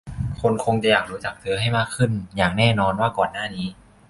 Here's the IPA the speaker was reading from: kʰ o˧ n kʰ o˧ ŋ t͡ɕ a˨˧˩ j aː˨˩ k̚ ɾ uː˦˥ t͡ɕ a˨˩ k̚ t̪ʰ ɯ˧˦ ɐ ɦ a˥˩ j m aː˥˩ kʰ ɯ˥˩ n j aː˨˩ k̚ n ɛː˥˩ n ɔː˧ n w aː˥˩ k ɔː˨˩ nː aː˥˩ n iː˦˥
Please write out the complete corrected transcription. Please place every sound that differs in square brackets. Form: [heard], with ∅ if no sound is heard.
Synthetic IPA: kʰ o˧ n kʰ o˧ ŋ t͡ɕ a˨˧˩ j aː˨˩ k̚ ɾ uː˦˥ t͡ɕ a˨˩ k̚ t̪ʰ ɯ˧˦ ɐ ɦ a˥˩ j m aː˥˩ kʰ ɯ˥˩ n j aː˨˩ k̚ n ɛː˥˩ n ɔː˧ n w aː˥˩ k ɔː˨˩ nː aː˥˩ n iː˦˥